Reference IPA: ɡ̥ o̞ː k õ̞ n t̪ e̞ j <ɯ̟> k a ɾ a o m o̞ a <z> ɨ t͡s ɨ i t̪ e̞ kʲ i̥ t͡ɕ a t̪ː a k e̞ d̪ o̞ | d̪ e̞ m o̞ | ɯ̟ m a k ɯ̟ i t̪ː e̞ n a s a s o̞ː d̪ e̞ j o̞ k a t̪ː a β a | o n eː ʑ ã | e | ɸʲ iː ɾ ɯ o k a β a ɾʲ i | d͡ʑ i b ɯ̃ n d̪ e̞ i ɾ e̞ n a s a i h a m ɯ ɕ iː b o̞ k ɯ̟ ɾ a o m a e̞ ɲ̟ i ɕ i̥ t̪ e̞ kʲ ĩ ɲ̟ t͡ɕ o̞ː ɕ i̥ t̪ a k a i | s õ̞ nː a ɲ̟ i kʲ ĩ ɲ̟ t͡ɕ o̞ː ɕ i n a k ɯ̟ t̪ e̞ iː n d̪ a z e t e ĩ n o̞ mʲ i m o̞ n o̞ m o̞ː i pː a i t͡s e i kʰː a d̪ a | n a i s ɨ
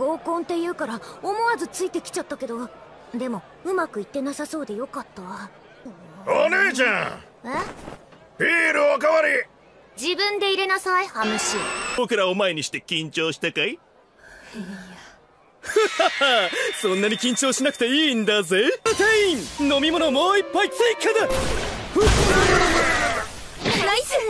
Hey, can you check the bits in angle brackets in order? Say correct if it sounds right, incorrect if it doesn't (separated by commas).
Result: incorrect, correct